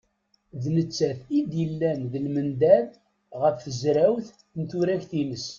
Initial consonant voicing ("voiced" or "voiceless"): voiced